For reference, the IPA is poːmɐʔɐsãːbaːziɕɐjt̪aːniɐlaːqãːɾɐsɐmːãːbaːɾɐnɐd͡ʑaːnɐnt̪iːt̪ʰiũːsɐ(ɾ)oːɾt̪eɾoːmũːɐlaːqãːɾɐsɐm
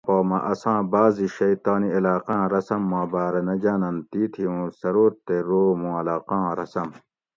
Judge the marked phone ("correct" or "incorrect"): correct